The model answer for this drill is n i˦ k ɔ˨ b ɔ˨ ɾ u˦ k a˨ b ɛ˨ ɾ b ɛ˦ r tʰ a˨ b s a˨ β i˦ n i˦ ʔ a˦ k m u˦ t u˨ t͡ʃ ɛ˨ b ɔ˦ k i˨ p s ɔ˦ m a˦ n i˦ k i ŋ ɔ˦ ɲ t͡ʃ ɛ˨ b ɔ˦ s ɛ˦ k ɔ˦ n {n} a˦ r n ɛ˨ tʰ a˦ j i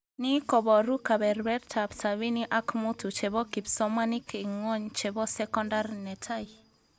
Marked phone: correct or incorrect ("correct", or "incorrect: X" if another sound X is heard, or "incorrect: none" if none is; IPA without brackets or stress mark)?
incorrect: d